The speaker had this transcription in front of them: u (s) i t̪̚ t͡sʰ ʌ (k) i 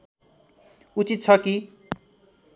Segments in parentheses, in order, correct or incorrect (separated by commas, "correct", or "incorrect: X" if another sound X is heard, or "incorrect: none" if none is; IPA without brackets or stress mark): incorrect: t͡s, correct